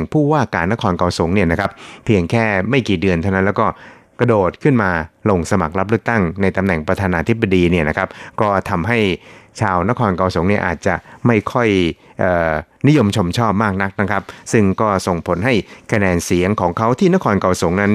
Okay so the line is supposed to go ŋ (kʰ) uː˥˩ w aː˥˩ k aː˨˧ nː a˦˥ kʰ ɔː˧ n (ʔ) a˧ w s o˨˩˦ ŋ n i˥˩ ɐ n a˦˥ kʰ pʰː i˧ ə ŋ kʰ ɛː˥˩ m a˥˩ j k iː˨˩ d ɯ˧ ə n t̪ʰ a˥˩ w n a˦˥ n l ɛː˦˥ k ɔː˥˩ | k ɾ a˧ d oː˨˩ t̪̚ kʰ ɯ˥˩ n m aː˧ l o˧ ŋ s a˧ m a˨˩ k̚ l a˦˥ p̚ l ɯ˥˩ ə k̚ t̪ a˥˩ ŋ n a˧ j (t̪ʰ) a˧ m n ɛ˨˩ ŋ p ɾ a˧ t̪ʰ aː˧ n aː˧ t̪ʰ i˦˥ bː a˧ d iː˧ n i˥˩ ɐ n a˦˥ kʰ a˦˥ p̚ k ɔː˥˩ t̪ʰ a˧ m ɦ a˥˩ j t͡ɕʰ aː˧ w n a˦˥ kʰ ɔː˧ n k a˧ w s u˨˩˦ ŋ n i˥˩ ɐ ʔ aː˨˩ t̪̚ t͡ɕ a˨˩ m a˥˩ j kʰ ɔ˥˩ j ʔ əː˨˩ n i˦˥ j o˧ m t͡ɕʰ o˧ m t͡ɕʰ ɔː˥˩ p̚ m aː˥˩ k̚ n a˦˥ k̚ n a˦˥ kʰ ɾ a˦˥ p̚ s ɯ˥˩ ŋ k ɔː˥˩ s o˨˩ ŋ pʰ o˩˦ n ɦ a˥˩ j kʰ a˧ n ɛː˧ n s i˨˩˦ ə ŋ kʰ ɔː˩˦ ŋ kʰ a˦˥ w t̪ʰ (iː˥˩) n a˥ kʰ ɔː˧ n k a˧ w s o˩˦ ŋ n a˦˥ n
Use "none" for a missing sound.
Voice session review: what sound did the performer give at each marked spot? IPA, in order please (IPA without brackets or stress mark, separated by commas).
pʰ, k, t̪, iː˥˩